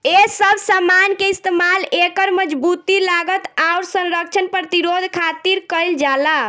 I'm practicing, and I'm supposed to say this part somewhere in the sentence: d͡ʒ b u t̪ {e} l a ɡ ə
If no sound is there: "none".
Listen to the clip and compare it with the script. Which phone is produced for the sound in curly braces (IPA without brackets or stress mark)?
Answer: i